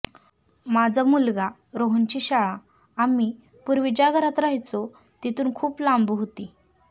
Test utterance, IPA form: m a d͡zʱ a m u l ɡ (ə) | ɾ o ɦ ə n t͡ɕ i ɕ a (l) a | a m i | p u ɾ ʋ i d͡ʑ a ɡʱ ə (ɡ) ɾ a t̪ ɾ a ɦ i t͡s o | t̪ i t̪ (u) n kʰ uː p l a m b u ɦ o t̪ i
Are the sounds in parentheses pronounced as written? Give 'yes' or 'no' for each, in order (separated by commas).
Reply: no, no, no, no